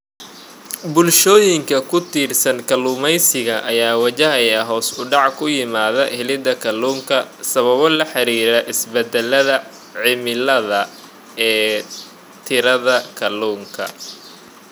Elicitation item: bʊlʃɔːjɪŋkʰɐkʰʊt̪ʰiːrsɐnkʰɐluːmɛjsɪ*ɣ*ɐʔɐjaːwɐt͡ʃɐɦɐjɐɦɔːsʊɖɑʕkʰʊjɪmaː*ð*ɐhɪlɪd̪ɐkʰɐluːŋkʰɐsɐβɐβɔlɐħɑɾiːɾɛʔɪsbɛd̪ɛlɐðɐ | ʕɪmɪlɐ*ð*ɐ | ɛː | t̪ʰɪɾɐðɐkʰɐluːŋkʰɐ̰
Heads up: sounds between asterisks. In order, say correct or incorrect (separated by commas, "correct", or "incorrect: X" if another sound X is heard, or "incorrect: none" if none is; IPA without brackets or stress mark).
correct, correct, correct